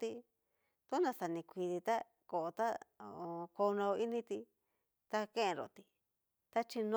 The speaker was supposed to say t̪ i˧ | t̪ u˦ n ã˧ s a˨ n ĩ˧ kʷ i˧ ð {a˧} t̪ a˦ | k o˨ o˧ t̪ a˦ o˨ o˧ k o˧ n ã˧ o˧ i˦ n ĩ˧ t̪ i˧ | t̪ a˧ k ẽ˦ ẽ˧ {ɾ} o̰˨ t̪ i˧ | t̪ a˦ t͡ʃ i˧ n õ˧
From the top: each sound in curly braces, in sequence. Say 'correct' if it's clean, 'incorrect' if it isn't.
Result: incorrect: i˧, correct

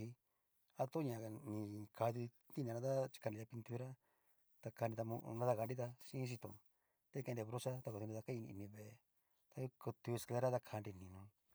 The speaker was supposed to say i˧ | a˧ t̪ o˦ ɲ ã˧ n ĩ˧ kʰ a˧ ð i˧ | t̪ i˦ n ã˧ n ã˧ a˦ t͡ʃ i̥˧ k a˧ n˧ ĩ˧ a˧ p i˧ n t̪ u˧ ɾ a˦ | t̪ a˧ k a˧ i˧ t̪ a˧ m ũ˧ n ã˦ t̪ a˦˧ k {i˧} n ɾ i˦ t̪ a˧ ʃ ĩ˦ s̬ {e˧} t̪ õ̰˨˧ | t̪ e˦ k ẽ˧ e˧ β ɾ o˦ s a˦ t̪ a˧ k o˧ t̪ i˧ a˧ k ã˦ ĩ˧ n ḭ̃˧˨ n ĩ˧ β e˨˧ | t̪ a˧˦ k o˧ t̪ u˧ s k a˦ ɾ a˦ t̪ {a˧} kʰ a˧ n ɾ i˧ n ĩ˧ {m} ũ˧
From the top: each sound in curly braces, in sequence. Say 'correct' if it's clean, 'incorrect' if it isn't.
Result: incorrect: a˧, incorrect: i˧, correct, incorrect: n

